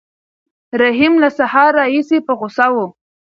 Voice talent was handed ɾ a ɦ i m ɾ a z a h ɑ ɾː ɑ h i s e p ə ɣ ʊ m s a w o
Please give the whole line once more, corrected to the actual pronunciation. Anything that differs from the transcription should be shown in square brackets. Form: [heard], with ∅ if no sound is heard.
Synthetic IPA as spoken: ɾ a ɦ i m [l] a [s] a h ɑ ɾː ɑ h i s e p ə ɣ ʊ [∅] s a w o